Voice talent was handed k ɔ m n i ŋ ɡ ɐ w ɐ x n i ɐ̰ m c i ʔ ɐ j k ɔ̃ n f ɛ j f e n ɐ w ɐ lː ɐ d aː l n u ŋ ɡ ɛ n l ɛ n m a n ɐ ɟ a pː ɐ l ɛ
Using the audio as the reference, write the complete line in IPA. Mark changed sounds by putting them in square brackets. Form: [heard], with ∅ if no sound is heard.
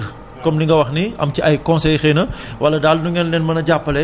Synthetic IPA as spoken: k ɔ m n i ŋ ɡ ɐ w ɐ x n i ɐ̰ m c i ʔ ɐ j k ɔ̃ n [s] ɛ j [x] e n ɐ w ɐ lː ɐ d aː l n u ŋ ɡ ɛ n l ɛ n m [ɐ] n ɐ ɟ a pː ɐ l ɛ